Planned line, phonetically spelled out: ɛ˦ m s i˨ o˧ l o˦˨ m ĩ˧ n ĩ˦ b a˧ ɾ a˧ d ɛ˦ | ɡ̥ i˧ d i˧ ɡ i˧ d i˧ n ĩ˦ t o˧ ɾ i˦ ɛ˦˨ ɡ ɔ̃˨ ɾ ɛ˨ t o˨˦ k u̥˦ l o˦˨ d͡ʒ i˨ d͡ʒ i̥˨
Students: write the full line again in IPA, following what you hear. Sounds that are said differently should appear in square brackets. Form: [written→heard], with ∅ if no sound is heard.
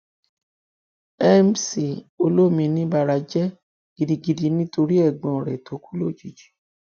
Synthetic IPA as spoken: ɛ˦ m s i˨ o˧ l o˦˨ m ĩ˧ n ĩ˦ b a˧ ɾ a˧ [d→d͡ʒ] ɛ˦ | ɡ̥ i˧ d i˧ ɡ i˧ d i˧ n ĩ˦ t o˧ ɾ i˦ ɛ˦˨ [ɡ→ɡ͡b] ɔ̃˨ ɾ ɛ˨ t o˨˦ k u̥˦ l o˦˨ d͡ʒ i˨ d͡ʒ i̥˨